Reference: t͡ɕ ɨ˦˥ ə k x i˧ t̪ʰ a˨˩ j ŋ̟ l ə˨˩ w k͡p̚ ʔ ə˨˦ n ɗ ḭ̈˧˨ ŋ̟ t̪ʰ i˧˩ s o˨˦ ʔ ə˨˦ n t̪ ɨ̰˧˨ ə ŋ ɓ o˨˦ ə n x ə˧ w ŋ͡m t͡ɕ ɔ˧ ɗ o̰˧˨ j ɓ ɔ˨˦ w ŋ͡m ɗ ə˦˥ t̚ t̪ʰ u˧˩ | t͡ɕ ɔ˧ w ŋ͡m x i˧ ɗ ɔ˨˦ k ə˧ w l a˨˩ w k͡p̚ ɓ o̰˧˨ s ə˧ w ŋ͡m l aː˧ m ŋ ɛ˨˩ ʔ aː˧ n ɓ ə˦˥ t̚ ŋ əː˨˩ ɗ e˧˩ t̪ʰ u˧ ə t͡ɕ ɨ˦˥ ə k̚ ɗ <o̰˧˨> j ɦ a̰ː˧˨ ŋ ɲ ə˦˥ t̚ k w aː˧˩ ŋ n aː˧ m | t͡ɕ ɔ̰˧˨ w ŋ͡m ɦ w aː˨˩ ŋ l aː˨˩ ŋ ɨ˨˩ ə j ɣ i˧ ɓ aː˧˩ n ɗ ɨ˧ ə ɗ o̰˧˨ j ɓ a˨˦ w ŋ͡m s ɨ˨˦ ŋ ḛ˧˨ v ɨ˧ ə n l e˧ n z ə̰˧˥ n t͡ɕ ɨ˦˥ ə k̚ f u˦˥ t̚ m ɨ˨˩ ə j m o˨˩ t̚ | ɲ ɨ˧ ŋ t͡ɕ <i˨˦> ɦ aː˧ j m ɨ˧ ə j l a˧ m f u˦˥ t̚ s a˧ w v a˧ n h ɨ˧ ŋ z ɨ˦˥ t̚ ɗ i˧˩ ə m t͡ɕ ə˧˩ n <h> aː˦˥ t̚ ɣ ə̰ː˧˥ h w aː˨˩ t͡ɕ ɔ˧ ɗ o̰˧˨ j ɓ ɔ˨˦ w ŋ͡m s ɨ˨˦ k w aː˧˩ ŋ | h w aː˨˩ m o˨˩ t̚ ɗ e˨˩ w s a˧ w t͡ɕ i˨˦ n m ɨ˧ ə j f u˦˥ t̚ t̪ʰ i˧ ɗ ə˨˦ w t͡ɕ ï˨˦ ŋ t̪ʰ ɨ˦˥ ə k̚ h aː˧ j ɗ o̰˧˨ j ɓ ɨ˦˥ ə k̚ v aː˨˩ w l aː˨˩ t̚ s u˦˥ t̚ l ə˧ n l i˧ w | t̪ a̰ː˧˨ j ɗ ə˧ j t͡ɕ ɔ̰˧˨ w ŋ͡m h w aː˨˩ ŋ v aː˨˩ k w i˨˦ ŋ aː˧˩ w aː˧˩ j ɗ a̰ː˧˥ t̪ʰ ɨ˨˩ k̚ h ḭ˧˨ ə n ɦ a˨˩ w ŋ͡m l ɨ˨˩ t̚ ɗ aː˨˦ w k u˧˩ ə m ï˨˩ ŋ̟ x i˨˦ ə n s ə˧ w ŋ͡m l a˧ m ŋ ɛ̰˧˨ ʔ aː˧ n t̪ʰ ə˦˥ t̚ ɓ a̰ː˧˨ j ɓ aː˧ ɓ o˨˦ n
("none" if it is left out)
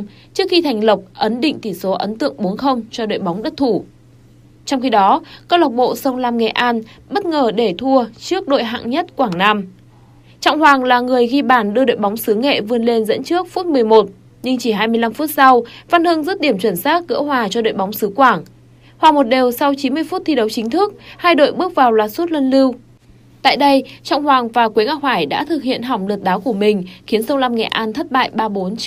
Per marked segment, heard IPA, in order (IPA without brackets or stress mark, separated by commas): o̰˧˨, i˧˩, s